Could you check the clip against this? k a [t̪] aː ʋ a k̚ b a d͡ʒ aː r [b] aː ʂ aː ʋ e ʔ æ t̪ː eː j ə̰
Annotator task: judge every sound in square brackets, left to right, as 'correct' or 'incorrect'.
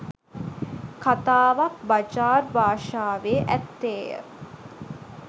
correct, correct

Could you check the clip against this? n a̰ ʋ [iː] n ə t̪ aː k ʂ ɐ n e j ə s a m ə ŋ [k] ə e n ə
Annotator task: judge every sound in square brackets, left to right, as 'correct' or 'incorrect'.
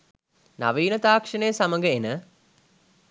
correct, incorrect

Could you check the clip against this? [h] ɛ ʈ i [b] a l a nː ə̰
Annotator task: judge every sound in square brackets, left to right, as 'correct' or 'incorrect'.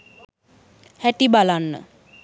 correct, correct

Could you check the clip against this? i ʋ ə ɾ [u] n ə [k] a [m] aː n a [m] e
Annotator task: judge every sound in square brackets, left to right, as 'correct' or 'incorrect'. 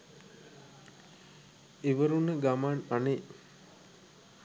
correct, incorrect, correct, incorrect

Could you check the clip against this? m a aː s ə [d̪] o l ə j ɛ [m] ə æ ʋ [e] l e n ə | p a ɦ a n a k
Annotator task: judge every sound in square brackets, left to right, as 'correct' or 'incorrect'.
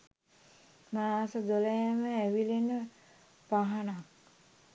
correct, correct, incorrect

